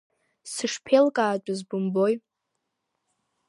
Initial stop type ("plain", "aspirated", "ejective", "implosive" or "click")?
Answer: aspirated